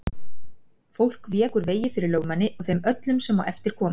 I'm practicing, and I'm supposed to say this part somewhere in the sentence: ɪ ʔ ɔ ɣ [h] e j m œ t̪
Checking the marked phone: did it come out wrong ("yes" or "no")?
yes